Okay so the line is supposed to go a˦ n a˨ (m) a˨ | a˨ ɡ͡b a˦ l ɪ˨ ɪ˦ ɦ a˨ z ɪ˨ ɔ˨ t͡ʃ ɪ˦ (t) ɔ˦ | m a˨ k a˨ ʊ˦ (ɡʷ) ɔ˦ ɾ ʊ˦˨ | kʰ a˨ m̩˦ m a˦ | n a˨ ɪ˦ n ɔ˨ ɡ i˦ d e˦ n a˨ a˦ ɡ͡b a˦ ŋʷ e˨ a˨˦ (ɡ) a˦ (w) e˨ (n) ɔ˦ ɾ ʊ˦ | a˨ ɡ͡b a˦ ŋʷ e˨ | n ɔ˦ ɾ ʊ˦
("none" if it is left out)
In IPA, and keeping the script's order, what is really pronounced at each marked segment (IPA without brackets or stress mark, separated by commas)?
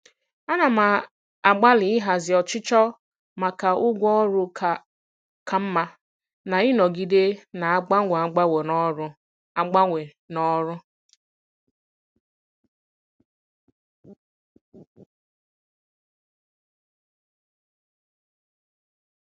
m, t͡ʃ, ɡʷ, ɡ͡b, w, n